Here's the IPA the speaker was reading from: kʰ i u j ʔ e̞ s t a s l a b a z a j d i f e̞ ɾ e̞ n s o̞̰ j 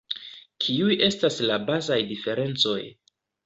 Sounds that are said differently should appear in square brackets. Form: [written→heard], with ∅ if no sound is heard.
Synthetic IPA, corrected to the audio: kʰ i u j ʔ e̞ s t a s l a b a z a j d i f e̞ ɾ e̞ n [s→t͡s] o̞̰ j